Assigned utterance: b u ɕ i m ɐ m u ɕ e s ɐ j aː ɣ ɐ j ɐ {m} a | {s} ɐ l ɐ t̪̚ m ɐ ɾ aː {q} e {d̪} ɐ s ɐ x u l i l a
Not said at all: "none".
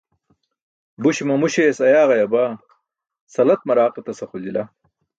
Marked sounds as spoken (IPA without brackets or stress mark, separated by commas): b, s, q, t̪